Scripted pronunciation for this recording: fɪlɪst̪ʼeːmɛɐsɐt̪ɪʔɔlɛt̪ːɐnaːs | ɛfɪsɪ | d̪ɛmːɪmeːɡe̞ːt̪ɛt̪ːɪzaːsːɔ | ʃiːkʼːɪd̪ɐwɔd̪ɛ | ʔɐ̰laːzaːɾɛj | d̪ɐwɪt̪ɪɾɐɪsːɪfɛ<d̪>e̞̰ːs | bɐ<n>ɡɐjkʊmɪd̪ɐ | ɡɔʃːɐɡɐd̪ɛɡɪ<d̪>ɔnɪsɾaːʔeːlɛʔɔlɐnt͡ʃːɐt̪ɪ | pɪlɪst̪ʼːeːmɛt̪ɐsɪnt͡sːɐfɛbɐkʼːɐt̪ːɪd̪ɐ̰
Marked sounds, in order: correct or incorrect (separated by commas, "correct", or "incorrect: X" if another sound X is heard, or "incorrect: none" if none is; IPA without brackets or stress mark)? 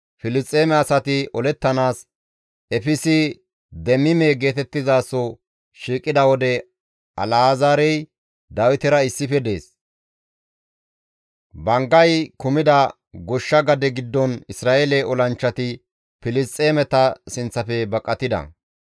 correct, incorrect: ŋ, incorrect: d̪ː